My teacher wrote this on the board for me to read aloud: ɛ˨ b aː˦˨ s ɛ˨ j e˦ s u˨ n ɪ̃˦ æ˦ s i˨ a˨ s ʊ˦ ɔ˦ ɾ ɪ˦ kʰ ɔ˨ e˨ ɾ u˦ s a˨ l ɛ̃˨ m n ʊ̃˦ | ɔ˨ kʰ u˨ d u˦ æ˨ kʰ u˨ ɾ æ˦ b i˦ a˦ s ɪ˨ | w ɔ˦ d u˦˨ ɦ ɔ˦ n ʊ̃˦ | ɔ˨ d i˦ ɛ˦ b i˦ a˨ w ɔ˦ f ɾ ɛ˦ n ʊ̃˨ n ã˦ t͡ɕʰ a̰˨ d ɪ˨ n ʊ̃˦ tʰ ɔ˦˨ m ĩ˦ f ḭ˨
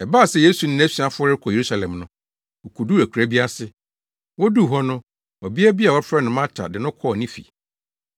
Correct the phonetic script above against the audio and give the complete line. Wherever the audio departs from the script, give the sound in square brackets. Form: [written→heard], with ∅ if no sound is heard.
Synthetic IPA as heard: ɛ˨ b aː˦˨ s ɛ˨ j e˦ s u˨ n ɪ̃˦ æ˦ s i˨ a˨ [s→f] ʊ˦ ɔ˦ ɾ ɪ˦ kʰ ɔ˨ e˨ ɾ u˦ s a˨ l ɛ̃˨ m n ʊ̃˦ | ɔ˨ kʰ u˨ d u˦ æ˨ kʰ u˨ ɾ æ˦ b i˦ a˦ s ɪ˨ | w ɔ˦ d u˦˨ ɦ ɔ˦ n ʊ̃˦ | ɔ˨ [d→b] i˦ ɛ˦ b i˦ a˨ w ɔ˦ f ɾ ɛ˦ n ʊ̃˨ [n→m] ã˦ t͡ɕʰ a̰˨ d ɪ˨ n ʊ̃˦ [tʰ→kʰ] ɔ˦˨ [m→n] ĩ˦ f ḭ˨